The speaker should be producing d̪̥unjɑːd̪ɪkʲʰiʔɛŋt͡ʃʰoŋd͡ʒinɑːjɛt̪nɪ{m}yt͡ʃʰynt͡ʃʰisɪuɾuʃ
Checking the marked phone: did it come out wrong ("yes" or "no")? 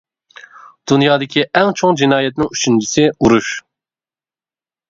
yes